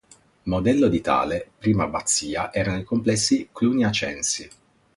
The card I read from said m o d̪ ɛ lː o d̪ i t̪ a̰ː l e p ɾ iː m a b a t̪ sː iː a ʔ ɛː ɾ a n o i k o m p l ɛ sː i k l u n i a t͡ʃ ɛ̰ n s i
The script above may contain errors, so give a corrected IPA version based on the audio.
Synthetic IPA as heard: m o d̪ ɛ lː o d̪ i t̪ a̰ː l e p ɾ iː m a b a t̪ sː iː a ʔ ɛː ɾ a n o i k o m p l ɛ sː i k l u n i a t͡ʃ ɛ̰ n s i